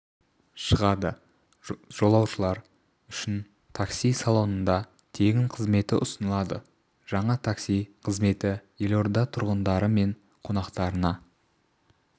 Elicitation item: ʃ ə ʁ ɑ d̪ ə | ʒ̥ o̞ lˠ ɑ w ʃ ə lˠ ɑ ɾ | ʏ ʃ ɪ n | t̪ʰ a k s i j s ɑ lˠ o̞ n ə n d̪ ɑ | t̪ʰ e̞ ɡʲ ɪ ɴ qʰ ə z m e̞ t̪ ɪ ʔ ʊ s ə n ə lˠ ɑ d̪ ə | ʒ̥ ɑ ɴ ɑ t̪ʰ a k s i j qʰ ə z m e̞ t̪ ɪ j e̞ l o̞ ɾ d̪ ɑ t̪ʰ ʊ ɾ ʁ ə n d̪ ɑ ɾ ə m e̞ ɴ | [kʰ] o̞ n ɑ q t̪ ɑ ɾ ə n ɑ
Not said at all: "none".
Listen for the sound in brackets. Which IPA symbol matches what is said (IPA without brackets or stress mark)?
qʰ